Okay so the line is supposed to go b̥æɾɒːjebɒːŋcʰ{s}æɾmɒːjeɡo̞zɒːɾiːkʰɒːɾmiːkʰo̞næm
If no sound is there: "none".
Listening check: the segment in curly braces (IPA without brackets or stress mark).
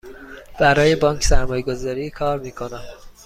s